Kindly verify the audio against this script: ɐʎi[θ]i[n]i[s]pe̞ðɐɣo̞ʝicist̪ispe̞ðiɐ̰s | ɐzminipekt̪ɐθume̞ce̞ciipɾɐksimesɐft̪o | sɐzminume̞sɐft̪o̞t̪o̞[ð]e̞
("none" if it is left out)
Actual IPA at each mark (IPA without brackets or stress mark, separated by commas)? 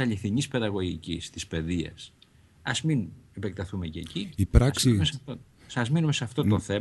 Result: θ, ɲ, s, θ